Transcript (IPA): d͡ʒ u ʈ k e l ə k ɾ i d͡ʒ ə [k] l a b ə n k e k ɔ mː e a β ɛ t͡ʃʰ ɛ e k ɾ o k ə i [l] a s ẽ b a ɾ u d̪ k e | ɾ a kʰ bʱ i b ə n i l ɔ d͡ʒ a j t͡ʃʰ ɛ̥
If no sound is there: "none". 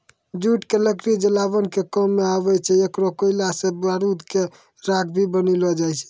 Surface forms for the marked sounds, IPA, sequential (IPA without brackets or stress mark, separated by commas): none, l